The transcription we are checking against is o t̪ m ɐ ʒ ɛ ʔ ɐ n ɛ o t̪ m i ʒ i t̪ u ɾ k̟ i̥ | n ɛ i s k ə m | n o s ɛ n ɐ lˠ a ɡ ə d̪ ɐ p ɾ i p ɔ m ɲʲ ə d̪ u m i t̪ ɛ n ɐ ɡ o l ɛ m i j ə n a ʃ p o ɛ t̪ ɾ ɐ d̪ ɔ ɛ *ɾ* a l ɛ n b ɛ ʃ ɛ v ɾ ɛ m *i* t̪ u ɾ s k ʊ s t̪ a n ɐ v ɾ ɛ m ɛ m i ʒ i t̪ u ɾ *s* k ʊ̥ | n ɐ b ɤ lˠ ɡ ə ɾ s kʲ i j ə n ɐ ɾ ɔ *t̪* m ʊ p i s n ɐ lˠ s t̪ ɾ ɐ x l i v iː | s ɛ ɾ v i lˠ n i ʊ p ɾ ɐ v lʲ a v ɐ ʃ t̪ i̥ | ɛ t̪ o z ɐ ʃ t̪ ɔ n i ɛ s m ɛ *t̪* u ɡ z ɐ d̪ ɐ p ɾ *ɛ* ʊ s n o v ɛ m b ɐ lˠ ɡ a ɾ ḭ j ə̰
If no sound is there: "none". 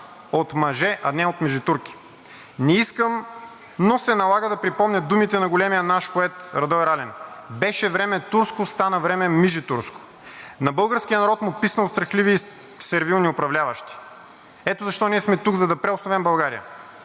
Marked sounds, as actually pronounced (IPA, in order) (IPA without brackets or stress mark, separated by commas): ɾ, ɛ, s, t̪, t̪, ɛ